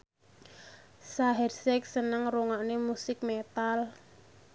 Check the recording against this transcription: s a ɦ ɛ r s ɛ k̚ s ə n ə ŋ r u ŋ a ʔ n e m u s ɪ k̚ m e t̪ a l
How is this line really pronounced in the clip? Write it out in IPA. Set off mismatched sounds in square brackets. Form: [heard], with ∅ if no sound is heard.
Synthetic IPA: s a ɦ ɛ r s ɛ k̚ s ə n ə ŋ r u ŋ a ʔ n e m u s ɪ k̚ m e t̪ a l